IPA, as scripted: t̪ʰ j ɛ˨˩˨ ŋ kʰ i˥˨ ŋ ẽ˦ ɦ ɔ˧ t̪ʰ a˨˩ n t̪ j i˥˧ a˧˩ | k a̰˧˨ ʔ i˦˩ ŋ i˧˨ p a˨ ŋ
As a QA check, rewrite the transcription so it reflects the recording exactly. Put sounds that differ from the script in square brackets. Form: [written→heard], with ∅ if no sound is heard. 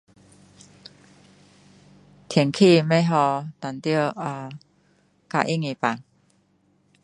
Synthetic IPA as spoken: t̪ʰ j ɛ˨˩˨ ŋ kʰ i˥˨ [ŋ→m] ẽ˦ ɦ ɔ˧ [t̪ʰ→t̪] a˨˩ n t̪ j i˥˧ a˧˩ | k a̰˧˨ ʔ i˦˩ ŋ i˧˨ p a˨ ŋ